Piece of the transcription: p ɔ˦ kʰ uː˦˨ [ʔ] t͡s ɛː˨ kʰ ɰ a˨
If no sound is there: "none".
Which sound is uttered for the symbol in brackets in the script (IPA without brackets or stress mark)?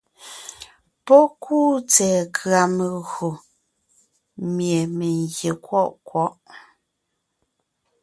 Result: none